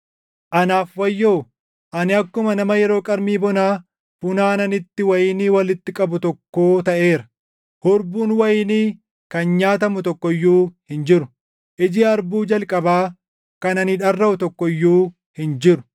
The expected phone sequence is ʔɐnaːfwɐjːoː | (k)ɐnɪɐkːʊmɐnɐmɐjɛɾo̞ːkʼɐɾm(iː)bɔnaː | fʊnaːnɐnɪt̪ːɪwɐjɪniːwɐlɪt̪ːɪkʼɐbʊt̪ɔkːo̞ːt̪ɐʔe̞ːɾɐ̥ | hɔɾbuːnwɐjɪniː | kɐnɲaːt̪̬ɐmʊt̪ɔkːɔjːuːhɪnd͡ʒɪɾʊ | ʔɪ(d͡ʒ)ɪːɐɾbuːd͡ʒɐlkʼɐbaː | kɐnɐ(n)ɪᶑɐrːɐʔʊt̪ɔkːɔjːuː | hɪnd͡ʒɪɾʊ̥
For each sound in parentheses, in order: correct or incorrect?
incorrect, correct, correct, correct

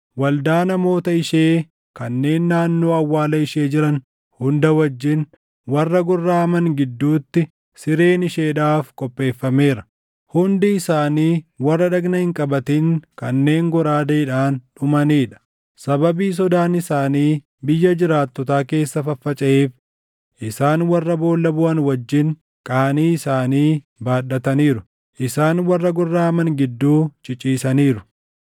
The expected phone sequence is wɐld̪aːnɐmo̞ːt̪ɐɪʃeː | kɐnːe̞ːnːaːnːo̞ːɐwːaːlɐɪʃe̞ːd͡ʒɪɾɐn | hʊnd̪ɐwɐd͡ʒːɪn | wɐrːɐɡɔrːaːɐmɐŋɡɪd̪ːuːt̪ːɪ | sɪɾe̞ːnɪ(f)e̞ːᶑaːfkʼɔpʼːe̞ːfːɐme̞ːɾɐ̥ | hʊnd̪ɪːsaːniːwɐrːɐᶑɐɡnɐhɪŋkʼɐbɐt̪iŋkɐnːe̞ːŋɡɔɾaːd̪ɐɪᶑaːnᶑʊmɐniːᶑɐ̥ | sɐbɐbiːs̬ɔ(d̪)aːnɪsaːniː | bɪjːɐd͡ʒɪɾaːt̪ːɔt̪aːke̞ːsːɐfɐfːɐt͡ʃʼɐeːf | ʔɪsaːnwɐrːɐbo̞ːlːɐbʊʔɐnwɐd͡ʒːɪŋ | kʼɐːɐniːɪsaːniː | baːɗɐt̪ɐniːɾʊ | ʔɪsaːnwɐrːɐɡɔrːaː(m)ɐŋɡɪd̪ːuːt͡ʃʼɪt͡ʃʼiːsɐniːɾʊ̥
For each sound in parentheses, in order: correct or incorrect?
incorrect, correct, correct

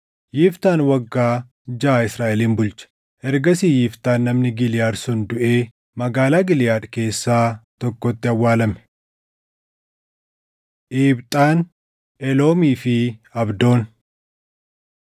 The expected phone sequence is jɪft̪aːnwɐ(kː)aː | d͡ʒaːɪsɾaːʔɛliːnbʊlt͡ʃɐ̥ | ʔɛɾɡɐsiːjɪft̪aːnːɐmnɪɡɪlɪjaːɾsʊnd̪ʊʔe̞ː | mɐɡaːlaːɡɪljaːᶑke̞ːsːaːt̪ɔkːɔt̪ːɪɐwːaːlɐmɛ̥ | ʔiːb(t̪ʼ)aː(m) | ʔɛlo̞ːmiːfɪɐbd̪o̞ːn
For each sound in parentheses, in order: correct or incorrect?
incorrect, correct, incorrect

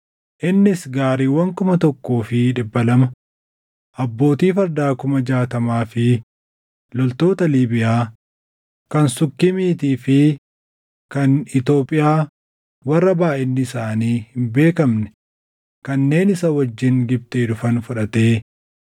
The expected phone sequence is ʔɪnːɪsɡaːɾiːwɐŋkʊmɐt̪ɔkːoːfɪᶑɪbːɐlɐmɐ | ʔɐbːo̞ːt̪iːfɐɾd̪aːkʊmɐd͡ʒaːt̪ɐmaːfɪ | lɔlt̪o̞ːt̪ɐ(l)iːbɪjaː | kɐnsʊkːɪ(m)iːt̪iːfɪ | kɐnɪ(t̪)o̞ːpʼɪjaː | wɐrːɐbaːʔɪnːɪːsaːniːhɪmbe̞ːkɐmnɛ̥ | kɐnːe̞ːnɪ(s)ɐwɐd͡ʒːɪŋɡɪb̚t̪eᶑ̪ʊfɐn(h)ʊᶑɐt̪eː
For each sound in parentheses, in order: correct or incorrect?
correct, correct, correct, correct, incorrect

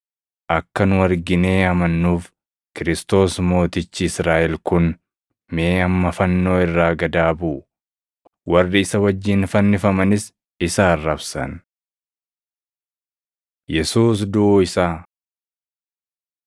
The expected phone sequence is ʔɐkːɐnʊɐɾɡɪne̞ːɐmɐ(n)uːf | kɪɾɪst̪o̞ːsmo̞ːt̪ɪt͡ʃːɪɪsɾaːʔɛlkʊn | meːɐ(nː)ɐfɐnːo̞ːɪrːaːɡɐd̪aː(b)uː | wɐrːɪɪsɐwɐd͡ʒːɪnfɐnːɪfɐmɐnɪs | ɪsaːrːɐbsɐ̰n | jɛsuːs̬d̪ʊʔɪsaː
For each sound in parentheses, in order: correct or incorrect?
incorrect, incorrect, correct

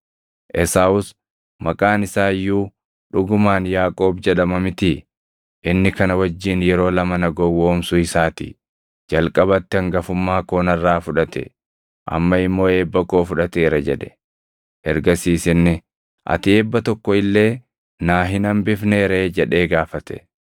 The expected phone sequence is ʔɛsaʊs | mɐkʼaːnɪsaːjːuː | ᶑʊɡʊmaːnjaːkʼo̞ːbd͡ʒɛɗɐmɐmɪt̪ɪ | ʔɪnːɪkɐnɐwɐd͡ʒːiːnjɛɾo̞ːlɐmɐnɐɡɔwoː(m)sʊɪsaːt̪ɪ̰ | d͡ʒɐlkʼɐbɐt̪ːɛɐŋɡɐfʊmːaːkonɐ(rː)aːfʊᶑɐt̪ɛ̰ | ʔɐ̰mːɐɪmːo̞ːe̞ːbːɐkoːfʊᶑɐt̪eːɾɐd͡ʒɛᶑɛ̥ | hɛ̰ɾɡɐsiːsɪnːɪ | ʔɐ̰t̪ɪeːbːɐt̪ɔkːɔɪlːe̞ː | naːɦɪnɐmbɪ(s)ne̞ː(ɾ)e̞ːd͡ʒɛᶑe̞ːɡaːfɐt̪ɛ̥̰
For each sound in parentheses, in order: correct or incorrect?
correct, correct, incorrect, correct

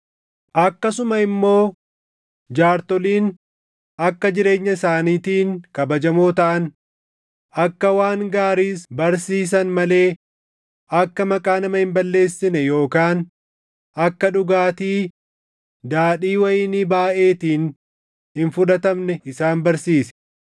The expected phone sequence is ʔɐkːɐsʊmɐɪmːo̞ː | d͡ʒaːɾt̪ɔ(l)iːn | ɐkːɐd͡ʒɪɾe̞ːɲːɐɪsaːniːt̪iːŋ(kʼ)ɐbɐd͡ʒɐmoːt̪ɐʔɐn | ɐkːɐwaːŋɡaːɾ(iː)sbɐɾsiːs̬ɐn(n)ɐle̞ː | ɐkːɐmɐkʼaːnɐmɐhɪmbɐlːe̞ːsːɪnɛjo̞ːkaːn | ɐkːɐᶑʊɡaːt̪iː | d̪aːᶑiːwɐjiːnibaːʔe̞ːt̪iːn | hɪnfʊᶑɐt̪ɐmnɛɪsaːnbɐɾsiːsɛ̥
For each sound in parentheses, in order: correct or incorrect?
correct, incorrect, correct, incorrect

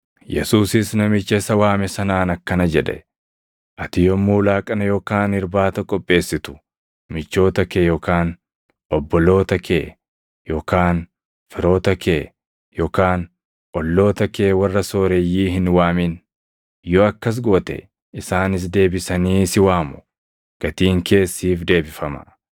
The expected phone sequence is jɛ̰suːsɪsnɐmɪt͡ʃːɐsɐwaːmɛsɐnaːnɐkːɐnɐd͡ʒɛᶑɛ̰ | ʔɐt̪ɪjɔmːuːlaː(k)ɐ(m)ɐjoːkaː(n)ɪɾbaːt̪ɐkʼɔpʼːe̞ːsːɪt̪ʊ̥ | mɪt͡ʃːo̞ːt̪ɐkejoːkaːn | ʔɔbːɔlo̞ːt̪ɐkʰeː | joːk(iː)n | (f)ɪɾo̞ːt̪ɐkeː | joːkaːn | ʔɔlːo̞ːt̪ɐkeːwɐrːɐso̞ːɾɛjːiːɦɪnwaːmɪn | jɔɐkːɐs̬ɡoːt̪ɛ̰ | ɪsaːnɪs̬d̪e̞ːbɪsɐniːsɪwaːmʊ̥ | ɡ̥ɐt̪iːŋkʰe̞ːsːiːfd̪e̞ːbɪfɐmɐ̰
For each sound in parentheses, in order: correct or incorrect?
incorrect, incorrect, correct, incorrect, correct

